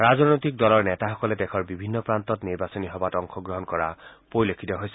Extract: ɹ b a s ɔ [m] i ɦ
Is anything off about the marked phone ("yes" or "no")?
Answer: yes